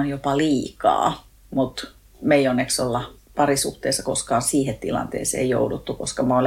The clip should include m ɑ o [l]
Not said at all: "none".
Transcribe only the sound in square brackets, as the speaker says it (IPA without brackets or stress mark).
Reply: l